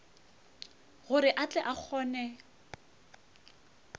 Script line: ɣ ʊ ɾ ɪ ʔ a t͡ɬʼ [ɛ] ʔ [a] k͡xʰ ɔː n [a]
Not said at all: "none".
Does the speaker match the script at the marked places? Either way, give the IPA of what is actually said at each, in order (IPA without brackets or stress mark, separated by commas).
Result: ɛ, a, ɛ